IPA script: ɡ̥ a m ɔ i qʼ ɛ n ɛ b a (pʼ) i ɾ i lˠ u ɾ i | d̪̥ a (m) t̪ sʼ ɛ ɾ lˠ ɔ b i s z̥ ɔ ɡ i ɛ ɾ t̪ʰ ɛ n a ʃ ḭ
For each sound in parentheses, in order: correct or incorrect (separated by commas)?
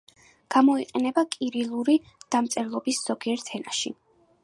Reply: incorrect, correct